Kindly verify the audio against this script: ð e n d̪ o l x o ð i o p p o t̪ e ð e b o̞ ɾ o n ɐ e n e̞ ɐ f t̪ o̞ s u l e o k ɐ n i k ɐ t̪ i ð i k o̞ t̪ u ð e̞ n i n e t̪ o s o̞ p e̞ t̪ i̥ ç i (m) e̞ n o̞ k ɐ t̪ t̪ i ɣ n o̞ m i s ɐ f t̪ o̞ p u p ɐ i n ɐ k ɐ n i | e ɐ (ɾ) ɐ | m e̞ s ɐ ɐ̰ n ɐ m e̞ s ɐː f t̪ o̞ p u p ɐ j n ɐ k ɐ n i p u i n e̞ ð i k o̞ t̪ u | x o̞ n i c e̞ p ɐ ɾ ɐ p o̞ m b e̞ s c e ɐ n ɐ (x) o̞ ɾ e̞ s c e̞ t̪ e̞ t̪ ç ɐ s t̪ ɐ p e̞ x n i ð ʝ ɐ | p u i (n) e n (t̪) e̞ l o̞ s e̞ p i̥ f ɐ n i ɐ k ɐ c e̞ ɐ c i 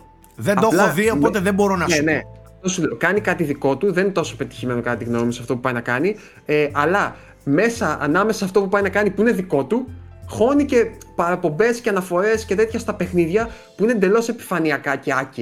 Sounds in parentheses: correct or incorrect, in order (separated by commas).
correct, incorrect, incorrect, correct, incorrect